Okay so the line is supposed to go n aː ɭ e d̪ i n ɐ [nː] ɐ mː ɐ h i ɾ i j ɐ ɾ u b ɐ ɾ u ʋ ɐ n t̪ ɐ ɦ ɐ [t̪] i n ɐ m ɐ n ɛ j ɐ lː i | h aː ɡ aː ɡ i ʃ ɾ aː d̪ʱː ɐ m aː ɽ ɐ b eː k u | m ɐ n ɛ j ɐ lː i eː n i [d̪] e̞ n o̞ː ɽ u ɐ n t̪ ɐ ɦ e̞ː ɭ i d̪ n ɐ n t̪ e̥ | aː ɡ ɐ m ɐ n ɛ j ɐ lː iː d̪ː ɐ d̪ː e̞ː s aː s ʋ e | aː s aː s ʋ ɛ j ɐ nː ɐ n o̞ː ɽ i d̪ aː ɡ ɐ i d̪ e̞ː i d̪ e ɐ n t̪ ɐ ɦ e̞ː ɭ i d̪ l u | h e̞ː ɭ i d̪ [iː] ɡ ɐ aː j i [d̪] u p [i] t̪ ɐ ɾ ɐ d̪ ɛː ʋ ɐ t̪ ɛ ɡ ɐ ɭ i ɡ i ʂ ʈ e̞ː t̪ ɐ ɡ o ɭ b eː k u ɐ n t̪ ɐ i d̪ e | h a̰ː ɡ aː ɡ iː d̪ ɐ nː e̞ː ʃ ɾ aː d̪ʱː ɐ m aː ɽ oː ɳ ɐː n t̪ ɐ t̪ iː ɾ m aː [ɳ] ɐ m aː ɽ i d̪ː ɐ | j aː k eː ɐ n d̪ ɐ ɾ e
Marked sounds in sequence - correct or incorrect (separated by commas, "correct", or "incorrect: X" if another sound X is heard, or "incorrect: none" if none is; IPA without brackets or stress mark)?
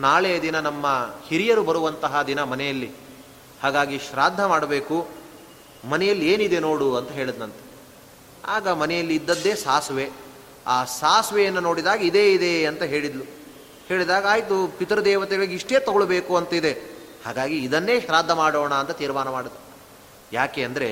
incorrect: n, incorrect: d̪, correct, incorrect: aː, incorrect: t̪, correct, incorrect: n